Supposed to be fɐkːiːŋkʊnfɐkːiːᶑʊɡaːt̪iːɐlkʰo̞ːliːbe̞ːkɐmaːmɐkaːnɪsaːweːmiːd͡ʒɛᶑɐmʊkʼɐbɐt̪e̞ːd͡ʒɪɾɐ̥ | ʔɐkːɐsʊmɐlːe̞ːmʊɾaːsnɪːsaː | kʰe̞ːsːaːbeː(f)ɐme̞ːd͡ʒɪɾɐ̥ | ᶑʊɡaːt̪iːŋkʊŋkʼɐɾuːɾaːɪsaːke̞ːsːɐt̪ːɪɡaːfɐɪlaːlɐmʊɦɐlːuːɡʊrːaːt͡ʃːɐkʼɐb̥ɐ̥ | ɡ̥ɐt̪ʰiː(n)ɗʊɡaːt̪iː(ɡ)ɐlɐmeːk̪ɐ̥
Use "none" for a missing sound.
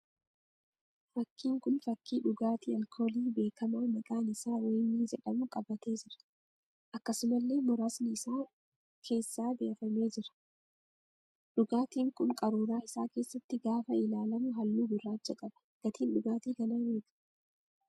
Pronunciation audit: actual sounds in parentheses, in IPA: f, n, ɡ

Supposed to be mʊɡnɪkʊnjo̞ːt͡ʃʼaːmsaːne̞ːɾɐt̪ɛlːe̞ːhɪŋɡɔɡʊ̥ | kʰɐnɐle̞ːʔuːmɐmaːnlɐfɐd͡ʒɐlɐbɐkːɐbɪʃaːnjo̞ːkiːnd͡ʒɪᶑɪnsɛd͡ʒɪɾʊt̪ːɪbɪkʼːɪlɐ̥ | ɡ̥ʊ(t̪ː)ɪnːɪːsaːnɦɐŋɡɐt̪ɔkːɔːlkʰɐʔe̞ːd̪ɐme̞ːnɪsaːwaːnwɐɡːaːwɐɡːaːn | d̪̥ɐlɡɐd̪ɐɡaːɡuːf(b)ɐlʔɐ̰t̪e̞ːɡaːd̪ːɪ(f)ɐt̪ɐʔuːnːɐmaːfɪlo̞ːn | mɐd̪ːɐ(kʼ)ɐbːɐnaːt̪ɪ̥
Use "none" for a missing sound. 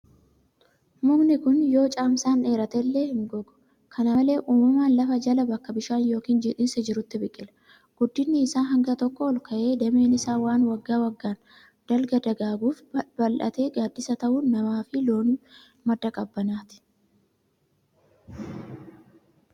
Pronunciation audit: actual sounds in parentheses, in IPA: d̪ː, b, s, kʼ

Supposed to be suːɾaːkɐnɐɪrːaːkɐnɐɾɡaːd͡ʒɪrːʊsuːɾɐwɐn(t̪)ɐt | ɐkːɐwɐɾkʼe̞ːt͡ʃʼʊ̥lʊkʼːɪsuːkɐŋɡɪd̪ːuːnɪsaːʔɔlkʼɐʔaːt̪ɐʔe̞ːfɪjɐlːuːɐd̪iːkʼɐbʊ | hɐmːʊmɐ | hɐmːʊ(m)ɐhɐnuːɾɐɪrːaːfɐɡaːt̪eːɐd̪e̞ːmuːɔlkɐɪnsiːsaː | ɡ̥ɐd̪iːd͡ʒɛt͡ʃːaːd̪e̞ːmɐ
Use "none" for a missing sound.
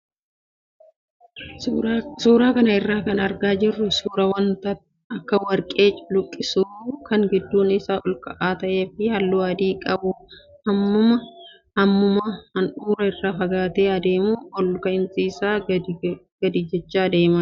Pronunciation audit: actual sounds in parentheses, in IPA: t̪, m

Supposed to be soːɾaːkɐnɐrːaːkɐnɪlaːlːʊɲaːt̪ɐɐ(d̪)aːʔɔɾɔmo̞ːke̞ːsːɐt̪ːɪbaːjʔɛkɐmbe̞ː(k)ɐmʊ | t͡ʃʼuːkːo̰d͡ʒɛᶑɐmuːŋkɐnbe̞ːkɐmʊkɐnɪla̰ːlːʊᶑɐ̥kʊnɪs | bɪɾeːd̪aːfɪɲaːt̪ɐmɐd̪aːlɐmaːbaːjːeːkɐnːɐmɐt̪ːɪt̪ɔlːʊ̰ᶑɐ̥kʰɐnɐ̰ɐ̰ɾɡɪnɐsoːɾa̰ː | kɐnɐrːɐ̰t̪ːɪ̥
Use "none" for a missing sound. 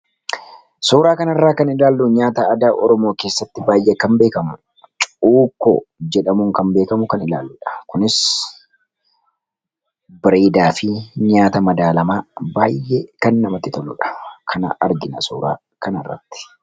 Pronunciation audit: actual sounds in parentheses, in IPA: d̪, k

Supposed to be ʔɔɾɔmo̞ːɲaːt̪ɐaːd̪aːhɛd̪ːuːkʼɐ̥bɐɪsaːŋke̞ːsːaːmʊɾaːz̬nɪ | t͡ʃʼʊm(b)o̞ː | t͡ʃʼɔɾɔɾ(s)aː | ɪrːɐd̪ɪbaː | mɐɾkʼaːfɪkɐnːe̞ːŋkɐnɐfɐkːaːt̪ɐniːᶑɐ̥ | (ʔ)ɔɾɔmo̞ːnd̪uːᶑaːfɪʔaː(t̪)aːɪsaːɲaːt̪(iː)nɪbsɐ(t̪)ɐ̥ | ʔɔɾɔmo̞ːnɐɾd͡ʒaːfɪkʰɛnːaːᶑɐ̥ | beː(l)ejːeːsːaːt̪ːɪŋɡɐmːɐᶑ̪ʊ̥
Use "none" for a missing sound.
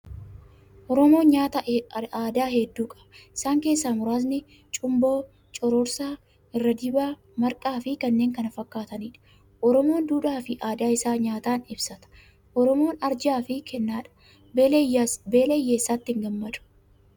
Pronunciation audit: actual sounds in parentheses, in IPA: b, s, ʔ, d̪, aː, t̪, l

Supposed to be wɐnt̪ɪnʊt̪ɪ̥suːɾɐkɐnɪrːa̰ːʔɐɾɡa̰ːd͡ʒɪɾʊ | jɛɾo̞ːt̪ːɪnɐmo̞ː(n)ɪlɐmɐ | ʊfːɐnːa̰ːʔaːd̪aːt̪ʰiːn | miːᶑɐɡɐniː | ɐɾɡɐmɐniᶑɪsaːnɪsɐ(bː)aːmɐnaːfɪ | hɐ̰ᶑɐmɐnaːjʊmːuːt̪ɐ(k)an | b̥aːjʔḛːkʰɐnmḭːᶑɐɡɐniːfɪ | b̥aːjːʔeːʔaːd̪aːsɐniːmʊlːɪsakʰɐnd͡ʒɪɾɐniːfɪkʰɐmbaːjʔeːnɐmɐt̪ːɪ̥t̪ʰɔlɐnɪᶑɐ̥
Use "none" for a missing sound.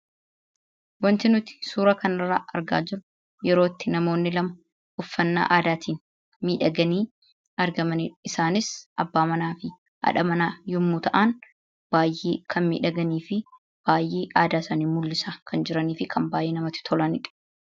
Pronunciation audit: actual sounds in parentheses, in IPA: nː, bː, ʔ

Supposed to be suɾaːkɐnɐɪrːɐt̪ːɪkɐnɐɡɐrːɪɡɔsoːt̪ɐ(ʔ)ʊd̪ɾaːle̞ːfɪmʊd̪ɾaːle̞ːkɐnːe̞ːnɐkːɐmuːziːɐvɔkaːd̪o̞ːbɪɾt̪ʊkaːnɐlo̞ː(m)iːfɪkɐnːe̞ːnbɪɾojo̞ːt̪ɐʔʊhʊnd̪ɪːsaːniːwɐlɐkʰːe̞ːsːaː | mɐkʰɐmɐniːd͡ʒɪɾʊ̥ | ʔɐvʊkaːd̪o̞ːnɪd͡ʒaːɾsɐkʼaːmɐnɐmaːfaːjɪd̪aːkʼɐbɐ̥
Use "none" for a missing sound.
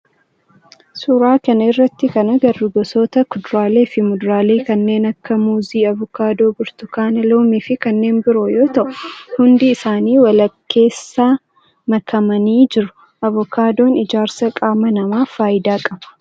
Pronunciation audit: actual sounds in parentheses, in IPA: k, m

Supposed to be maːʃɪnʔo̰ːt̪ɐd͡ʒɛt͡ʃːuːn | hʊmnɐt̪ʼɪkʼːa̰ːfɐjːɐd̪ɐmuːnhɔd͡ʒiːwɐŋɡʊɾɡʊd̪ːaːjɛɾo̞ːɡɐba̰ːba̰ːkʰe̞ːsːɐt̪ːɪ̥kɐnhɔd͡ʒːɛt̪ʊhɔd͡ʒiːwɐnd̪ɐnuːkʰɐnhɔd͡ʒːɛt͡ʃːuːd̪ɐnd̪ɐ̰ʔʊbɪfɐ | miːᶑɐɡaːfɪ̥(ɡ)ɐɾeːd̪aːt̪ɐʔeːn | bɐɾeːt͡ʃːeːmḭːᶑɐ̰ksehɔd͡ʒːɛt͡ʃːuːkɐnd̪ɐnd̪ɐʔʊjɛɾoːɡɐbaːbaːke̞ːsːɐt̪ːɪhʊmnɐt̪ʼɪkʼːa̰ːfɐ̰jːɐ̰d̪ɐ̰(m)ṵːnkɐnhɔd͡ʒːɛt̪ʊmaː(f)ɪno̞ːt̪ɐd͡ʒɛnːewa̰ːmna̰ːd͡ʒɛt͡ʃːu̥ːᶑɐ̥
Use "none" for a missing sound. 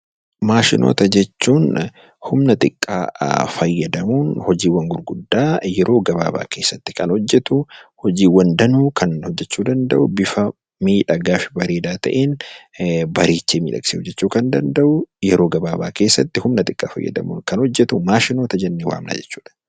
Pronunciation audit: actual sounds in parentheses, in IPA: b, m, ʃ

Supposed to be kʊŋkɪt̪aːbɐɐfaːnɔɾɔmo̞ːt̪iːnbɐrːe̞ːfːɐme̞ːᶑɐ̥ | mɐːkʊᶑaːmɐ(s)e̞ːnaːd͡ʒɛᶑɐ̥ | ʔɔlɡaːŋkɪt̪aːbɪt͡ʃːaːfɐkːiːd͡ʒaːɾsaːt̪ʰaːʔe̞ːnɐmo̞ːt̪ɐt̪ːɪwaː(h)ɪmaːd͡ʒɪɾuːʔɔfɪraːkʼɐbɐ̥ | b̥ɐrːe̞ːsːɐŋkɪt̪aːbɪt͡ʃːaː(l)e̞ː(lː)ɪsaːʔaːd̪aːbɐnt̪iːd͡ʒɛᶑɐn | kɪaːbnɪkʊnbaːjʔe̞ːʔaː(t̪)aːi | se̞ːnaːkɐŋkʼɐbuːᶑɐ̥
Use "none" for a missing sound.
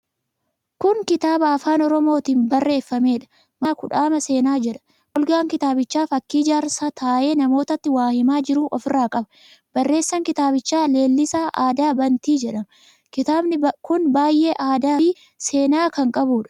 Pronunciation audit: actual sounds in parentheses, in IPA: s, h, l, lː, d̪

